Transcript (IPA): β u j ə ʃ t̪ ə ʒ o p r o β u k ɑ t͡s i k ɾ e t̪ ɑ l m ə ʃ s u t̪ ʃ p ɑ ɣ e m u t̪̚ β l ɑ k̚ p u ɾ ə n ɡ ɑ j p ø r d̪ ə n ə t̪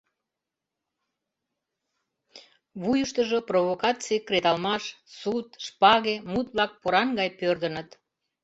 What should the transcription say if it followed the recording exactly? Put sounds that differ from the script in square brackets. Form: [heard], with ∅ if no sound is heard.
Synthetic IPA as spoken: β u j ə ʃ t̪ ə ʒ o p r o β [o] k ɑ t͡s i k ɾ e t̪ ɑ l m [ɑ] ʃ s u t̪ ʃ p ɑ ɣ e m u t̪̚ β l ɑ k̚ p [o] ɾ [ɑ] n ɡ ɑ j p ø r d̪ ə n ə t̪